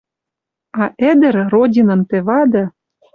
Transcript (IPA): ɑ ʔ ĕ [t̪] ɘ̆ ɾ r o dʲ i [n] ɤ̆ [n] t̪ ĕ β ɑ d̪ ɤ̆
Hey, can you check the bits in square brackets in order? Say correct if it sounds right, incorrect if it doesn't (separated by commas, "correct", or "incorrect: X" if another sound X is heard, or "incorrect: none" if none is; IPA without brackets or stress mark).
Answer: incorrect: d̪, correct, correct